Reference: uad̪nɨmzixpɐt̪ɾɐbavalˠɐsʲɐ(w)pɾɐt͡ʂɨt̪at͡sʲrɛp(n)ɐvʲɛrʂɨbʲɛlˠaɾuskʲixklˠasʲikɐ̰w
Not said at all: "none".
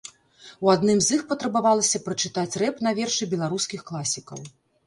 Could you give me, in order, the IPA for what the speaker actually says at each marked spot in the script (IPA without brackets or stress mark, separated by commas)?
none, n